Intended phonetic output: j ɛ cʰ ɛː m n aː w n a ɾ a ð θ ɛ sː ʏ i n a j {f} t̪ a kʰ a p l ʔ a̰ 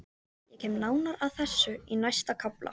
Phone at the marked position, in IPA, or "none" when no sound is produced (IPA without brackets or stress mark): s